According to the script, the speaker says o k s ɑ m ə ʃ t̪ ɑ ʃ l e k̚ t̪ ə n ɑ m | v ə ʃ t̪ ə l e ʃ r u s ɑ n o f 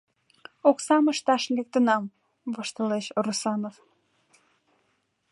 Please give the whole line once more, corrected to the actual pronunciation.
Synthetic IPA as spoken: o k s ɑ m ə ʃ t̪ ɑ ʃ l e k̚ t̪ ə n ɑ m | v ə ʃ t̪ ə l e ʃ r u s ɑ n o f